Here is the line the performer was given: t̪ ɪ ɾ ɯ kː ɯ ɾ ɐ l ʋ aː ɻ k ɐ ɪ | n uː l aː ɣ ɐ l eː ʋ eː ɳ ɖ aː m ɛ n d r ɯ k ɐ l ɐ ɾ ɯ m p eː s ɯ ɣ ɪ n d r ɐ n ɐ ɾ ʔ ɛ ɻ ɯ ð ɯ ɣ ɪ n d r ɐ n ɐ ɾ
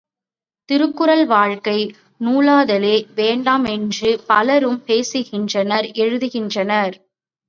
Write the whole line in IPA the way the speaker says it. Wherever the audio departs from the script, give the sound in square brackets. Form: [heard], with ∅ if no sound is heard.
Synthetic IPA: t̪ ɪ ɾ ɯ kː ɯ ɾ ɐ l ʋ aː ɻ k ɐ ɪ | n uː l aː [ð] ɐ l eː ʋ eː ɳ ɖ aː m ɛ n d r ɯ [p] ɐ l ɐ ɾ ɯ m p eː s ɯ ɣ ɪ n d r ɐ n ɐ ɾ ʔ ɛ ɻ ɯ ð ɯ ɣ ɪ n d r ɐ n ɐ ɾ